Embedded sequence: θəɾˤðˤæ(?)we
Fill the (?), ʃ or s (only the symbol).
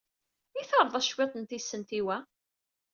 ʃ